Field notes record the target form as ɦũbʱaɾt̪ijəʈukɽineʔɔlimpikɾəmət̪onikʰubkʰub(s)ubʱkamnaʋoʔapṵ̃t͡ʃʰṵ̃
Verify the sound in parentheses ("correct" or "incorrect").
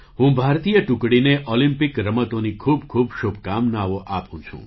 incorrect